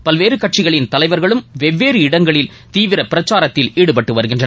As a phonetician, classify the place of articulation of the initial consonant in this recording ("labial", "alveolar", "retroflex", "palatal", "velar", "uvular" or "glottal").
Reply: labial